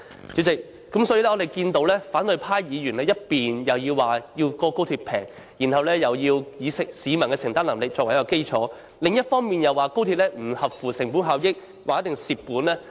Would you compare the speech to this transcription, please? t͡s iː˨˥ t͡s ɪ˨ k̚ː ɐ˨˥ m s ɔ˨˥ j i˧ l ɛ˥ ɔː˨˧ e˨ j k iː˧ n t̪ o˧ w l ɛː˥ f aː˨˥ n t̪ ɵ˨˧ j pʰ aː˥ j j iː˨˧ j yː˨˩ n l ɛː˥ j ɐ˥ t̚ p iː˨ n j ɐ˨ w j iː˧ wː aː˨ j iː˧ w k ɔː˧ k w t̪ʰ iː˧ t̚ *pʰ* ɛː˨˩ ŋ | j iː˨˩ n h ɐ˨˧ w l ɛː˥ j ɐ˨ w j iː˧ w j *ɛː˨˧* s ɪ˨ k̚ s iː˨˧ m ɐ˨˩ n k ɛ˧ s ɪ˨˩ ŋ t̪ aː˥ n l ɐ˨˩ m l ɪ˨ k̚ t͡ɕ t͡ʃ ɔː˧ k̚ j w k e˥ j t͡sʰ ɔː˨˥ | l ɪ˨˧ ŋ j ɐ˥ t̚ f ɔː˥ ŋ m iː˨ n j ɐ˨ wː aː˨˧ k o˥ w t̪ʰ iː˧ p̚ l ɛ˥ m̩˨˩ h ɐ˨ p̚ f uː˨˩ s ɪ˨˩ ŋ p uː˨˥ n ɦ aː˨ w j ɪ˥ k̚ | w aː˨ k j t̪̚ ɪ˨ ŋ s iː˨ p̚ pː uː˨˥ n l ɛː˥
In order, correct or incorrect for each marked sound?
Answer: correct, incorrect: iː˨˧

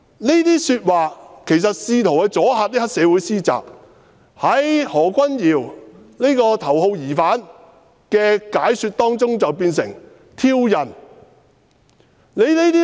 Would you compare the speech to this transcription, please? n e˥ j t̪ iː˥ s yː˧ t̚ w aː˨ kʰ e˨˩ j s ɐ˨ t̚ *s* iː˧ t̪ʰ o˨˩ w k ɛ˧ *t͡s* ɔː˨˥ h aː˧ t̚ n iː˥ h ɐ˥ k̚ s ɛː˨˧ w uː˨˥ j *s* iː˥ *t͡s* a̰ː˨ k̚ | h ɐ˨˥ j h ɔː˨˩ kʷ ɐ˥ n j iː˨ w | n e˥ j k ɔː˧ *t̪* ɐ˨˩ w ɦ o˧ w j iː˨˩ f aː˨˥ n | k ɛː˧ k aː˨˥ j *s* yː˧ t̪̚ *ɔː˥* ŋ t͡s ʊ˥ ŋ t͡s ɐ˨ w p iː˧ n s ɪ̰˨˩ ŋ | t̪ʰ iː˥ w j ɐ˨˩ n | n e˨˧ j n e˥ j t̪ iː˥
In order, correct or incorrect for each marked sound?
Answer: correct, correct, correct, correct, incorrect: t̪ʰ, correct, correct

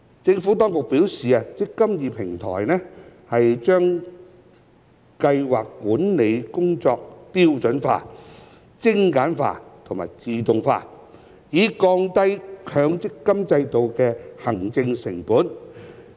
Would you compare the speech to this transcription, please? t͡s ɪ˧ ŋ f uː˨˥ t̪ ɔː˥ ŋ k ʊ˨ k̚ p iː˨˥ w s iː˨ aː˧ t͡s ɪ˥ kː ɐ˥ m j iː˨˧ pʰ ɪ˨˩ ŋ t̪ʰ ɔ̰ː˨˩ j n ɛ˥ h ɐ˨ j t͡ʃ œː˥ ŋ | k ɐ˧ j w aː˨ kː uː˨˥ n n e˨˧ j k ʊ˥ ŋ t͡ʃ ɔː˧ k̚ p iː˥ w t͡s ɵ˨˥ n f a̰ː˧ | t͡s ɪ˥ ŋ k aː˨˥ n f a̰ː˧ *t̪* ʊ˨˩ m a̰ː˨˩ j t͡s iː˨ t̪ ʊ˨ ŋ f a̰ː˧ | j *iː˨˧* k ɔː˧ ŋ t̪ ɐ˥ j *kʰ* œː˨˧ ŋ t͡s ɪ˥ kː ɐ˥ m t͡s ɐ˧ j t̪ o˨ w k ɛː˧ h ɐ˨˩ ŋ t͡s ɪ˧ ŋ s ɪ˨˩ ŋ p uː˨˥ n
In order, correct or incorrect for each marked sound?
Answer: incorrect: t̪ʰ, correct, correct

